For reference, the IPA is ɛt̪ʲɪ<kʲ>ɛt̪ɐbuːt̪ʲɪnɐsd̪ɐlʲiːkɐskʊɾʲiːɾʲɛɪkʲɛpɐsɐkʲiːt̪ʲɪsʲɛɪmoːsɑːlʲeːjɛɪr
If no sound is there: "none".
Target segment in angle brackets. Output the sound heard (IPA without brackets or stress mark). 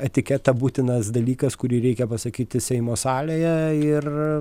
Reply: kʲ